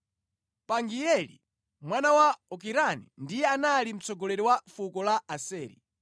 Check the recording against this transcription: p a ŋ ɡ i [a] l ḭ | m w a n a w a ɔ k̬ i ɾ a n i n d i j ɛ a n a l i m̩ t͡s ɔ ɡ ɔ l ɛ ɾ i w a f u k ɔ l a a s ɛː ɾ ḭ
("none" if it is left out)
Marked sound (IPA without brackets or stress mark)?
ɛ